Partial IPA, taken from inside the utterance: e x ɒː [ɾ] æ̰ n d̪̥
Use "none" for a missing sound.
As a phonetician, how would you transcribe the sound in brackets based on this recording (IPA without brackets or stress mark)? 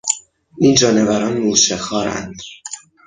ɾ